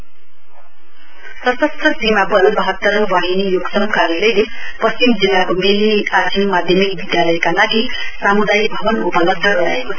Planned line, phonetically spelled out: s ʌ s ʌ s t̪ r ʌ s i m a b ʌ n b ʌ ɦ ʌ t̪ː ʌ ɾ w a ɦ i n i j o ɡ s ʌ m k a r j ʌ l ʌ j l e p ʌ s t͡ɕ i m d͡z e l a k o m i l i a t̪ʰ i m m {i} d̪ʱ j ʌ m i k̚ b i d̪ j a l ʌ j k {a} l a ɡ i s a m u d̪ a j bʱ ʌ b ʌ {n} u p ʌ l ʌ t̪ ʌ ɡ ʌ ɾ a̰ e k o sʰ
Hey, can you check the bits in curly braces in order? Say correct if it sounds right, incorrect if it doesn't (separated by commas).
incorrect, correct, correct